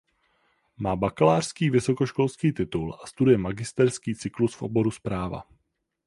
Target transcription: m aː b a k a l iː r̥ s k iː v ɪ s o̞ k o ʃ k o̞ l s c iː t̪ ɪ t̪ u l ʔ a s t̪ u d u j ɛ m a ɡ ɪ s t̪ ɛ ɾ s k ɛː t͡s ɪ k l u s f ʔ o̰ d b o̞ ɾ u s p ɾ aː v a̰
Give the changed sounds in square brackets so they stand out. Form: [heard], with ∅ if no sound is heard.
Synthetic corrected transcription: m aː b a k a l [aː] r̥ s k iː v ɪ s o̞ k o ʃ k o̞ l s [k] iː t̪ ɪ t̪ u l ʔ a s t̪ u d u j ɛ m a ɡ ɪ s t̪ ɛ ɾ s k [iː] t͡s ɪ k l u s f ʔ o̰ [∅] b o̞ ɾ u s p ɾ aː v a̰